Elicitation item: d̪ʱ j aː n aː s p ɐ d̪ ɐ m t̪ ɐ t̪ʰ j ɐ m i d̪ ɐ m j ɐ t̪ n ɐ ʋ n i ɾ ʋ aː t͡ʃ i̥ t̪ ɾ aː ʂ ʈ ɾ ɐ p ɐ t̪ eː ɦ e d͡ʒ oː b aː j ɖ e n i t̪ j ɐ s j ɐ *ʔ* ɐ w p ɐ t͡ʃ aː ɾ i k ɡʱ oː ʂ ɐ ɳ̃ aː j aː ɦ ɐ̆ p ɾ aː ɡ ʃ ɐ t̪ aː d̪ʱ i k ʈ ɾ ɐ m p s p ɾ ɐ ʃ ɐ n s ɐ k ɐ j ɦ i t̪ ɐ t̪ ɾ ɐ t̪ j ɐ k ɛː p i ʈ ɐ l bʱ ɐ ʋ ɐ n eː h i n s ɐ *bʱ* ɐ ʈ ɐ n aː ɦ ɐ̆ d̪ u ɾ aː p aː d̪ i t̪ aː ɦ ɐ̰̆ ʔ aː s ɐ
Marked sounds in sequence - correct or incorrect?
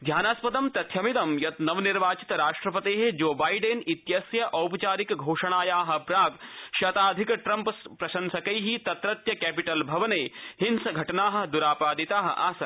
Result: correct, incorrect

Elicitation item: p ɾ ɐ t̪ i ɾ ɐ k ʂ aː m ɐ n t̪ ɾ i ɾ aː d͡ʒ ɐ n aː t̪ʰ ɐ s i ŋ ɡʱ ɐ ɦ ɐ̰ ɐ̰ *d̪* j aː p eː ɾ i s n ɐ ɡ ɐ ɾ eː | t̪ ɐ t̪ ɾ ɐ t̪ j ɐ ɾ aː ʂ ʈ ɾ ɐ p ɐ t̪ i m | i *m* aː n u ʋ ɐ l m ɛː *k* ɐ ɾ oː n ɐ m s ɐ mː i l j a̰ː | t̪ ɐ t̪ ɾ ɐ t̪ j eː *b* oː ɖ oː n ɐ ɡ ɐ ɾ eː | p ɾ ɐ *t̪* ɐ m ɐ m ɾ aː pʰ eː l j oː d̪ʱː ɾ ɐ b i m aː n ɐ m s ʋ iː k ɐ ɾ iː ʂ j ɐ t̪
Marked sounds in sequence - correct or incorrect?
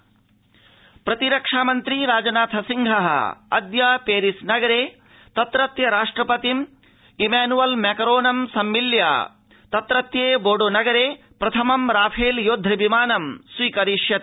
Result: correct, correct, correct, correct, incorrect

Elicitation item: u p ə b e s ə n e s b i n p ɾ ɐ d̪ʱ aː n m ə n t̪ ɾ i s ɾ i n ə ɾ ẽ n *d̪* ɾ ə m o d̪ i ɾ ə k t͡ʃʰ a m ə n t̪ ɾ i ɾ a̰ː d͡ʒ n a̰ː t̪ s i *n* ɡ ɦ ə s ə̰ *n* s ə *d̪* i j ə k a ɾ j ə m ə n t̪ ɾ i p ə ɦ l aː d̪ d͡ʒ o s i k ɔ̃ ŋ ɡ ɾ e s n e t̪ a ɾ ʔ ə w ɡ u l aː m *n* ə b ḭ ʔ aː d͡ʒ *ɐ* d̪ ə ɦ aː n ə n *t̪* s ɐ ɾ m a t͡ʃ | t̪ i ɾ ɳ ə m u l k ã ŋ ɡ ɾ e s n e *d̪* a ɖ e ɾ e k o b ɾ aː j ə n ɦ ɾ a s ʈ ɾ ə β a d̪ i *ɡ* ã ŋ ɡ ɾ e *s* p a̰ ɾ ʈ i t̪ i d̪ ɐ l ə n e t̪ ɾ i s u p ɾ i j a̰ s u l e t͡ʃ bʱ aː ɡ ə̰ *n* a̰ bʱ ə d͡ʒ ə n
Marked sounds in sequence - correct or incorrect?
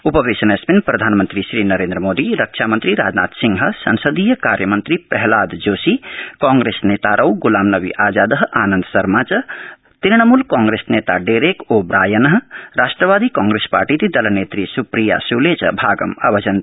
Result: correct, incorrect, correct, correct, correct, incorrect, incorrect, incorrect, incorrect, correct, incorrect

